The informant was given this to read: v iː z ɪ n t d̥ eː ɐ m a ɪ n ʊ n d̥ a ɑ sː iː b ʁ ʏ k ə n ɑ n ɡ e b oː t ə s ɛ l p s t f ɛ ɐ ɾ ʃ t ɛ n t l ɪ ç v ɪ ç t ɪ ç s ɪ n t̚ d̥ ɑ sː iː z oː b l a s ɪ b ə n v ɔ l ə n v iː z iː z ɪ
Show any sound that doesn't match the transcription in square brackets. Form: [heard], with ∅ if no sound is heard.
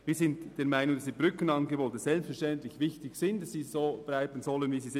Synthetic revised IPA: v iː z ɪ n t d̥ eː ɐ m a ɪ n ʊ [ŋ] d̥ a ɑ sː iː b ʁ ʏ k ə n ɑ n ɡ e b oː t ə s ɛ l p s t f ɛ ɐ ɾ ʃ t ɛ n t l ɪ ç v ɪ ç t ɪ ç s ɪ n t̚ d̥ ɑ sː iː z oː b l a [∅] ɪ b ə n [z] ɔ l ə n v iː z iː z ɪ